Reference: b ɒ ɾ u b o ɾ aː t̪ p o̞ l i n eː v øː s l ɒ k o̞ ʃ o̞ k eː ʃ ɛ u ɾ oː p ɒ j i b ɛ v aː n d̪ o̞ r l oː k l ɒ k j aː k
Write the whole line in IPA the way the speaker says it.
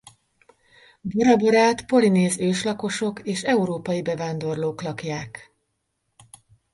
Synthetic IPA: b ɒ ɾ ɒ b o ɾ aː t̪ p o̞ l i n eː z øː ʃ l ɒ k o̞ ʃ o̞ k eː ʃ ɛ u ɾ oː p ɒ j i b ɛ v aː n d̪ o̞ r l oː k l ɒ k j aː k